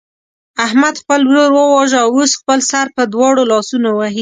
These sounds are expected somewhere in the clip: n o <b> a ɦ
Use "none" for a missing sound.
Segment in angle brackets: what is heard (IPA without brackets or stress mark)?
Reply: w